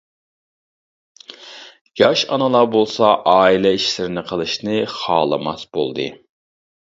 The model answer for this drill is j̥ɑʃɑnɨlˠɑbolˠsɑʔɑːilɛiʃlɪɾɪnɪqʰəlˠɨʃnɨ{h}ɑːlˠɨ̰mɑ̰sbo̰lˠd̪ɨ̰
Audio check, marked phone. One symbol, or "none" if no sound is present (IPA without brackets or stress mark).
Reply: χ